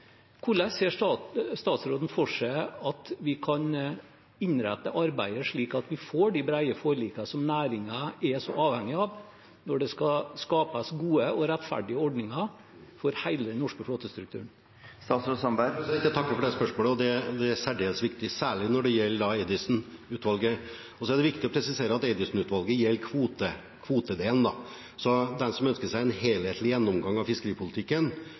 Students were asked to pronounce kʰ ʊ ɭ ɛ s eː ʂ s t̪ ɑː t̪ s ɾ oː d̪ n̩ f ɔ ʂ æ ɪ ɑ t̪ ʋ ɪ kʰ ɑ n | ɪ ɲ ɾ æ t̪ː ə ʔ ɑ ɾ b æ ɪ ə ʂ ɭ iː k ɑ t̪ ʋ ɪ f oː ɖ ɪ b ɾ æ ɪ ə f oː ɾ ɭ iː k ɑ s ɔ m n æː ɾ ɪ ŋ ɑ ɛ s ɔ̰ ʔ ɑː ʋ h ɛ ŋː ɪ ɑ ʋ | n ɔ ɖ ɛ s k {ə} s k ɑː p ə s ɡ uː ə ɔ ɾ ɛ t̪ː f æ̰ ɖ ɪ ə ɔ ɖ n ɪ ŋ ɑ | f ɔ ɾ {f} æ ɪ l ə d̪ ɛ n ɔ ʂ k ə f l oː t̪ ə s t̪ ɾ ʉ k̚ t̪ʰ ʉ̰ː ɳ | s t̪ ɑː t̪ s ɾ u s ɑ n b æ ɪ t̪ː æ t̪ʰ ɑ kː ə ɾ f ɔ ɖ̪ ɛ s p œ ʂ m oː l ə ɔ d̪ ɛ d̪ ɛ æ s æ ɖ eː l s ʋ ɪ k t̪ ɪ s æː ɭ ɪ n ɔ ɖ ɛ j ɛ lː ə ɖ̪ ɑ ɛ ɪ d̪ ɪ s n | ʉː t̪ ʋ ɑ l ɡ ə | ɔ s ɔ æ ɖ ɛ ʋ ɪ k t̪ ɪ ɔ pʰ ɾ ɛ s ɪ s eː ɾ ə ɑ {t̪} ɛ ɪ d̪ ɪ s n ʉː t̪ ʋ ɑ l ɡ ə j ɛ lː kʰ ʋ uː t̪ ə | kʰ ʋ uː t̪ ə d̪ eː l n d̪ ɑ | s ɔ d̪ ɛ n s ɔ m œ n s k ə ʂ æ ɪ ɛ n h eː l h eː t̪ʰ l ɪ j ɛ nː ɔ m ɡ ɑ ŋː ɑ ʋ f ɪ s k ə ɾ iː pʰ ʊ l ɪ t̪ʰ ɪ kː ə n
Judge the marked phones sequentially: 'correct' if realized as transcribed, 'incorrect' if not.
incorrect: ɑ, incorrect: h, correct

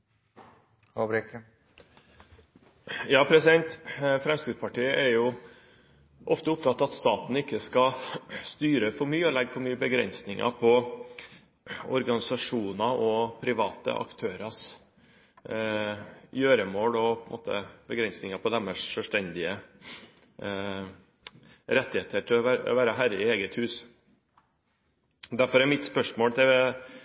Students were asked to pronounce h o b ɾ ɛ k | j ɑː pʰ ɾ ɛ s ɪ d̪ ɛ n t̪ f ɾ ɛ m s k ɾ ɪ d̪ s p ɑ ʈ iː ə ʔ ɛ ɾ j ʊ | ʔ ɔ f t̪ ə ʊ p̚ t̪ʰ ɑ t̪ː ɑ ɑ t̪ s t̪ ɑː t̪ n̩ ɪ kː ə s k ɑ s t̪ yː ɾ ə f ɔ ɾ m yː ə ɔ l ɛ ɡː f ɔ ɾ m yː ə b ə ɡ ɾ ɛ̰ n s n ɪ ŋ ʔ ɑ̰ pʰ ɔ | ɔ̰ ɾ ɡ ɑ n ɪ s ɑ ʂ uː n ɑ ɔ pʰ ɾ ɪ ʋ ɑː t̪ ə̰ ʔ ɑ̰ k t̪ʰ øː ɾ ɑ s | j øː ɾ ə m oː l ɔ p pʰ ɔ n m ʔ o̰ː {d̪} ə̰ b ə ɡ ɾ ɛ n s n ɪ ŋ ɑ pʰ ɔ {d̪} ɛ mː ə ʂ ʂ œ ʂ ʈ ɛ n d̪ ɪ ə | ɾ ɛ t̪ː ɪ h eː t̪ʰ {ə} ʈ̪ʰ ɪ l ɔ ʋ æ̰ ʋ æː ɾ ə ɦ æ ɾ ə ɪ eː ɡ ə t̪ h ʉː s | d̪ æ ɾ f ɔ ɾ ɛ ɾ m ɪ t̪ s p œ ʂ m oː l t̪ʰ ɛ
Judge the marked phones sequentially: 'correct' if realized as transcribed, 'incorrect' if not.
incorrect: t̪, correct, correct

